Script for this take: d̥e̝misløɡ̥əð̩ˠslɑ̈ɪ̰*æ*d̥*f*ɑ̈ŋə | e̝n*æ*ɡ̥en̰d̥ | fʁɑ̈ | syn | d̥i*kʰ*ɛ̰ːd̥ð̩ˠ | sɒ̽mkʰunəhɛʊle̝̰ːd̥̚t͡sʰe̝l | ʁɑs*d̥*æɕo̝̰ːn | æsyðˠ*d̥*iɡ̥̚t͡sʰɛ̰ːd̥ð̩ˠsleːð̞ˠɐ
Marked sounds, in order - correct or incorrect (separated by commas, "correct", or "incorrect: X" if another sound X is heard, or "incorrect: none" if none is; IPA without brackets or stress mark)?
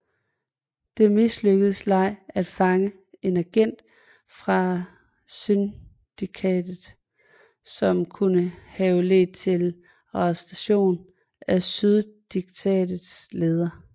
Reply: correct, correct, correct, correct, correct, correct